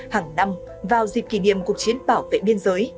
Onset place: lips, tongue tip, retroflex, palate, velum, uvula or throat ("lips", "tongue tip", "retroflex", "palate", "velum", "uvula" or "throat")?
throat